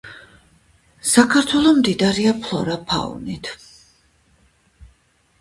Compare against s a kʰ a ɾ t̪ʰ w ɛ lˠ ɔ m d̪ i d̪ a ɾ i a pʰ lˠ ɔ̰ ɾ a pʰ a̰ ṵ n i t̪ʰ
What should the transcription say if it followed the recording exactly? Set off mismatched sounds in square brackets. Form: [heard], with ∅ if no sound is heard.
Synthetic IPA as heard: s a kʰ a ɾ t̪ʰ w ɛ lˠ ɔ m d̪ i d̪ a ɾ i a pʰ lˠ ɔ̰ ɾ a pʰ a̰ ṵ n i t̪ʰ